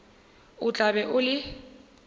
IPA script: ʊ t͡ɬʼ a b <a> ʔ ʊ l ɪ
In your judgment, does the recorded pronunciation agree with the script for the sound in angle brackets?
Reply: no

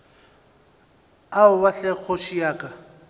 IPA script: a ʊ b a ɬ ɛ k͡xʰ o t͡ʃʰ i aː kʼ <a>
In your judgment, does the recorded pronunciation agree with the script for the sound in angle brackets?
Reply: yes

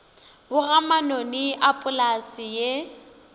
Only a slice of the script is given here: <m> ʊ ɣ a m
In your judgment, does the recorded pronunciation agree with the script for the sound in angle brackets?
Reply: no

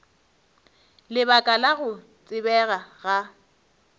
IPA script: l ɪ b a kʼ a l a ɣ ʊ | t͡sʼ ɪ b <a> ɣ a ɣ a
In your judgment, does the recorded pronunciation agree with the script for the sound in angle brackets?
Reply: no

